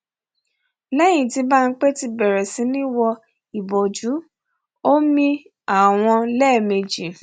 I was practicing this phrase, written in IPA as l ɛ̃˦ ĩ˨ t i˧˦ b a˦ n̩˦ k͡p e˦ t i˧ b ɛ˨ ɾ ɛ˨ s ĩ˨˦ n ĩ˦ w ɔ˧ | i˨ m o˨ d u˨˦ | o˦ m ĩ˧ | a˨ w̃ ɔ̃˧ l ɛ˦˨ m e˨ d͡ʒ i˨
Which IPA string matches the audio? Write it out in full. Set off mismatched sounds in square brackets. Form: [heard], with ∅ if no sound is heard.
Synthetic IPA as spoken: l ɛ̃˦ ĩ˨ t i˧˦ b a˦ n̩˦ k͡p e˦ t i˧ b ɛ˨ ɾ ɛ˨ s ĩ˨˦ n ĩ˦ w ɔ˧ | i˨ [b] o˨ [d͡ʒ] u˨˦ | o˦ m ĩ˧ | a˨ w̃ ɔ̃˧ l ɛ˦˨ m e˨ d͡ʒ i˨